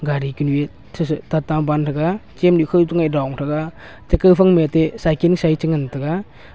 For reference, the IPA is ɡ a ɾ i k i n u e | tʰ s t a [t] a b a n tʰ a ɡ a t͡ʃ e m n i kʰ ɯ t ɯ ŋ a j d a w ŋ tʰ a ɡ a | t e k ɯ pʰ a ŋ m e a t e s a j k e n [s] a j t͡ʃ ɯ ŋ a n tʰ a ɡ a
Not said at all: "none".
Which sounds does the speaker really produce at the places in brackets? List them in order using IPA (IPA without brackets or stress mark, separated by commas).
t, s